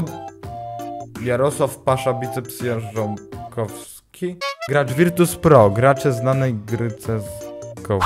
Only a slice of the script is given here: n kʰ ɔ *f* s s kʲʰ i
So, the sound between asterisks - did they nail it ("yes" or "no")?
yes